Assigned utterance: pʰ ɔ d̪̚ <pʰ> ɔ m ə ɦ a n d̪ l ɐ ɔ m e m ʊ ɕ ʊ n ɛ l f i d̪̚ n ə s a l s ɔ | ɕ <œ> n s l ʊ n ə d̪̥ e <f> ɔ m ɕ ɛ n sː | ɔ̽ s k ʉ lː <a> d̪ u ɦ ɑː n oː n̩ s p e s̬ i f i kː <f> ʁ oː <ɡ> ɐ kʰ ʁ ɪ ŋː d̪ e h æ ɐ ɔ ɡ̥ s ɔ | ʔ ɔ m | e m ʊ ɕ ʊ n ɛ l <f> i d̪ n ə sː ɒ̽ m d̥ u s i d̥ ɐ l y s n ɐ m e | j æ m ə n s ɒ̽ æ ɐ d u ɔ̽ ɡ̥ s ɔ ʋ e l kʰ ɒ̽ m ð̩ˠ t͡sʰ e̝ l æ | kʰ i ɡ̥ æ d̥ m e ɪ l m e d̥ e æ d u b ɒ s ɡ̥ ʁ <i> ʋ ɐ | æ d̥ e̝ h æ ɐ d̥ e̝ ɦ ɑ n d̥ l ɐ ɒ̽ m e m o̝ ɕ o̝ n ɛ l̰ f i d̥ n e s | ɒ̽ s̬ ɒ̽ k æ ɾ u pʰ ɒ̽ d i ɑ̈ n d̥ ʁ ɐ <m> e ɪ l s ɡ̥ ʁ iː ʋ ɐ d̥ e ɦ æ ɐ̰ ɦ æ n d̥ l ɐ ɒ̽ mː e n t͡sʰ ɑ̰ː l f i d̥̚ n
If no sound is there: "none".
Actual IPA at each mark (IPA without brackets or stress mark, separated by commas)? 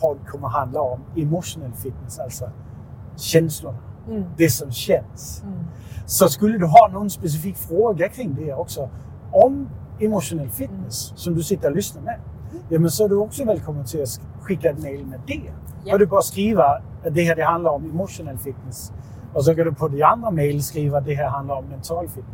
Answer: kʰ, ɛ, s, ə, f, ɡ, f, iː, m